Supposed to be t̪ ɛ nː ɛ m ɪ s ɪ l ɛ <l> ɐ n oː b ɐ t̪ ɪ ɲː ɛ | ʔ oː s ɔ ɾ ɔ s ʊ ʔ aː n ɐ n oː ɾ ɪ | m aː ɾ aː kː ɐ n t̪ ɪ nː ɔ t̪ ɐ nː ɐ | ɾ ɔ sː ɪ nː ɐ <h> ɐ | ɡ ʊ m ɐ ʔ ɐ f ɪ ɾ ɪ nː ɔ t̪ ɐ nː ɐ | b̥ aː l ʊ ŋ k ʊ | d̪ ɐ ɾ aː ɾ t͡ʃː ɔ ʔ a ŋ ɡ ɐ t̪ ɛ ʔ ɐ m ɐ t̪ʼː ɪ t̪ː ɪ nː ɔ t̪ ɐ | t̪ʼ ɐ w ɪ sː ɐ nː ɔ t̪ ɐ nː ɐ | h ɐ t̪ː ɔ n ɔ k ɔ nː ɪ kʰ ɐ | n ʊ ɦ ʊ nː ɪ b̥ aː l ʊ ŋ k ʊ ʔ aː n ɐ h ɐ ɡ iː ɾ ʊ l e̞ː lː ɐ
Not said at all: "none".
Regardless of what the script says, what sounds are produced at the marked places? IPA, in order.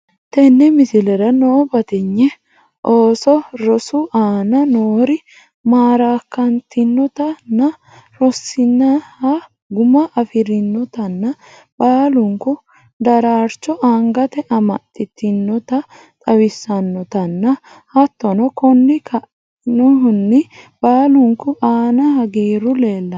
ɾ, h

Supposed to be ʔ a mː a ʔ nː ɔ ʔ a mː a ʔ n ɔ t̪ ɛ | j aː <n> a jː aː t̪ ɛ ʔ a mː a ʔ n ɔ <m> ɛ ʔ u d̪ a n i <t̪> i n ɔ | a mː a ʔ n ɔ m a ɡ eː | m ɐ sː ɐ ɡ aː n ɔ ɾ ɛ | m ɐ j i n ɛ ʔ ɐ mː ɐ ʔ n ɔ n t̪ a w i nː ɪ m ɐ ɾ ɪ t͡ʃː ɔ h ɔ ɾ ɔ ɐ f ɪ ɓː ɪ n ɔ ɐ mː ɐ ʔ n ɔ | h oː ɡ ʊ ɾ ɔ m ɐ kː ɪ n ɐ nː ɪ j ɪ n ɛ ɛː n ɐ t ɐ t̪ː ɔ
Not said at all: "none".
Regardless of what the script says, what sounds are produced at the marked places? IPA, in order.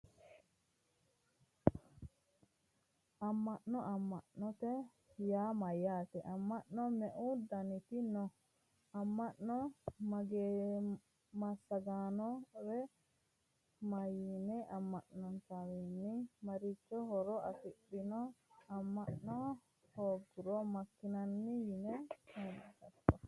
m, m, t̪

